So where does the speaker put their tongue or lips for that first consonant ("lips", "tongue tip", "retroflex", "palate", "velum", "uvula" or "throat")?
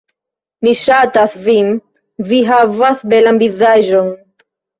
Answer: lips